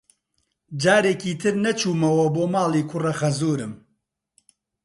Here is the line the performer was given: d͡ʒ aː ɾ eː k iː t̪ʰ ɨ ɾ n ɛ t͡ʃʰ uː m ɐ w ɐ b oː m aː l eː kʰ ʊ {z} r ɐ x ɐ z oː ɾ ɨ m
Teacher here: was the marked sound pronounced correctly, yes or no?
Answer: no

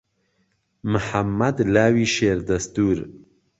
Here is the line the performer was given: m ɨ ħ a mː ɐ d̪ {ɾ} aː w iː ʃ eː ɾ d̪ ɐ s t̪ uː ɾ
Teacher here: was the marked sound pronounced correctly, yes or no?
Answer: no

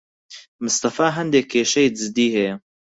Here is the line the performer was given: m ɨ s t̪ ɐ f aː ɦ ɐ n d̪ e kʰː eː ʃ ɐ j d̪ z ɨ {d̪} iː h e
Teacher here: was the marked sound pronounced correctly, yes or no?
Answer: yes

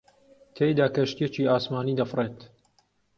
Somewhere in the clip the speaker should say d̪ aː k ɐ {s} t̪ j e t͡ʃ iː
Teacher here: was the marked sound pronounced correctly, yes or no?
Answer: no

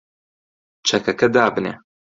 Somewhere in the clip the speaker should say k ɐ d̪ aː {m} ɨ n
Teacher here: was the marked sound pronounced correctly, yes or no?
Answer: no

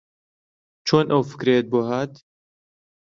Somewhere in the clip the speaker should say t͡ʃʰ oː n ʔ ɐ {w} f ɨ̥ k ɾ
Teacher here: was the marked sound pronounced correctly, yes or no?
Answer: yes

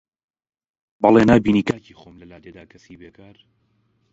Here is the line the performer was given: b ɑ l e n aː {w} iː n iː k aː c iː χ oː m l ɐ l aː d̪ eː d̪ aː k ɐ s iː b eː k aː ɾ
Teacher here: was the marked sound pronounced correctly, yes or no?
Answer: no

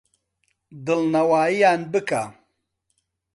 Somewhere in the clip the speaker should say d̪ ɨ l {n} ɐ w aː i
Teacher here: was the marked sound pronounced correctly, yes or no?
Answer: yes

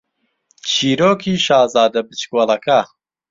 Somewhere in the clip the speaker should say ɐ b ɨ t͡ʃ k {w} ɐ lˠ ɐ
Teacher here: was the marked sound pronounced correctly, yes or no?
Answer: yes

